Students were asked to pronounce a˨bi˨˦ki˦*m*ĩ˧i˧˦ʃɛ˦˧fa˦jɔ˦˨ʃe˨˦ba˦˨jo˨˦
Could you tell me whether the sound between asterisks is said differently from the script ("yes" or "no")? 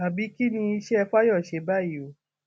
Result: yes